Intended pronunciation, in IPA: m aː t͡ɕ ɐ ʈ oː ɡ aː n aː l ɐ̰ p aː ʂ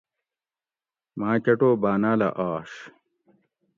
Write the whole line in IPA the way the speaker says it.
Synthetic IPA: m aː t͡ɕ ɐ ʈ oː b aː n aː l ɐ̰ ʔ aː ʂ